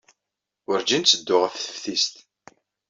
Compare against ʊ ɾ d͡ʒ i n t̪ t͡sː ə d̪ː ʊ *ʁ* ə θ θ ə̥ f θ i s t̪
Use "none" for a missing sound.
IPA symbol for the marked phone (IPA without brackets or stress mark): ʁ